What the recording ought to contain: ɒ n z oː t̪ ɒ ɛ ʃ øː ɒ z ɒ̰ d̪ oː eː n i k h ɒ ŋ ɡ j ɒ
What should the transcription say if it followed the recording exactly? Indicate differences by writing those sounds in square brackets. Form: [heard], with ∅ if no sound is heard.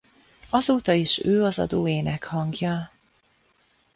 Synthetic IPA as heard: ɒ [∅] z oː t̪ ɒ [i] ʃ øː ɒ z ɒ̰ d̪ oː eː n [ɛ] k h ɒ ŋ ɡ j ɒ